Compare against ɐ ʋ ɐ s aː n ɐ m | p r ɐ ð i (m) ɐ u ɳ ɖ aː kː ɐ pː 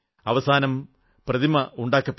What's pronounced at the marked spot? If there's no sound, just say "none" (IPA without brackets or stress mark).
m